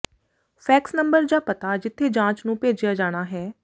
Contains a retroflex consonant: yes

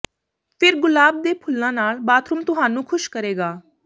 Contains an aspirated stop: yes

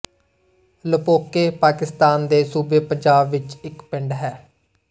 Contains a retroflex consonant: yes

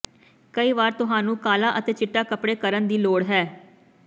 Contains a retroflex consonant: yes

